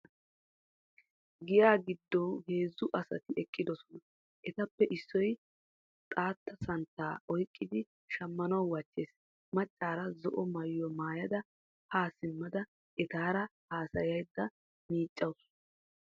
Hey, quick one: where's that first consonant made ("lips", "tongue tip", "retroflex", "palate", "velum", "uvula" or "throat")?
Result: velum